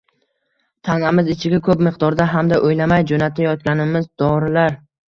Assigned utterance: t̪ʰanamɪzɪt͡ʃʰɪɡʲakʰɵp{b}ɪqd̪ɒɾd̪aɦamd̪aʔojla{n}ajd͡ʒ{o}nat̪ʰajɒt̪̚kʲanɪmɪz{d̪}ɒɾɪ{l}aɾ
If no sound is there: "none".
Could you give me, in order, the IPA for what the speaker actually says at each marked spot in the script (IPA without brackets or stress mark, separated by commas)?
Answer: m, m, o, d̪, l